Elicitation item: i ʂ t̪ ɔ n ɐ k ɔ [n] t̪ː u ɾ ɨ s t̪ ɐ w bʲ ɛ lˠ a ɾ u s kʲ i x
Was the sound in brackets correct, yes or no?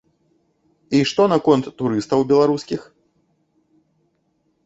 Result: yes